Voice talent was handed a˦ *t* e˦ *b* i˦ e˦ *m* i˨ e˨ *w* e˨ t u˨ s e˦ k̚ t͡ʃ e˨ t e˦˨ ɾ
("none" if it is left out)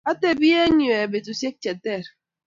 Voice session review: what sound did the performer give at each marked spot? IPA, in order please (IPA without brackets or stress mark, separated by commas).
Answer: t, b, ɲ, b